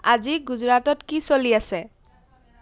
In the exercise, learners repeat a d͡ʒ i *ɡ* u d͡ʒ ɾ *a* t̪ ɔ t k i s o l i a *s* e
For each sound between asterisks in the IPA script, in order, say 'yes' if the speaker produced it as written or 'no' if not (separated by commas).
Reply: yes, yes, yes